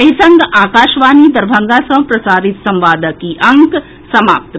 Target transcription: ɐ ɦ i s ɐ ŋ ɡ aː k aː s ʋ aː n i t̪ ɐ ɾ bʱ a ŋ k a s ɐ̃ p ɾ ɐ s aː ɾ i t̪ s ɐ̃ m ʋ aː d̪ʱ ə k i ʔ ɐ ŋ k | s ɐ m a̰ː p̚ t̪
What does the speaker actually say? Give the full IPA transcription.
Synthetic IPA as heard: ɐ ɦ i s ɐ ŋ ɡ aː k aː ʃ ʋ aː n i d̪ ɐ ɾ bʱ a ŋ ɡ a s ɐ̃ p ɾ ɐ s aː ɾ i t̪ s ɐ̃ m ʋ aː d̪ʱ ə k i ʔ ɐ ŋ k | s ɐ m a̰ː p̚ t̪